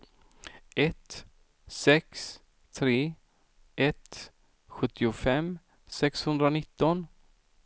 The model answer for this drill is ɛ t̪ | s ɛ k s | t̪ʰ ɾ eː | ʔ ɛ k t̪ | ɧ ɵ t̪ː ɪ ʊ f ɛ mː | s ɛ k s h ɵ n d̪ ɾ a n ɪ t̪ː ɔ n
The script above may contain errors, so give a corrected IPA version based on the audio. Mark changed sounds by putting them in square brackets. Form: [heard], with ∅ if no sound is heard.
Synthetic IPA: ɛ t̪ | s ɛ k s | t̪ʰ ɾ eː | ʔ ɛ [∅] t̪ | ɧ ɵ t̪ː ɪ ʊ f ɛ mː | s ɛ k s h ɵ n d̪ ɾ a n ɪ t̪ː ɔ n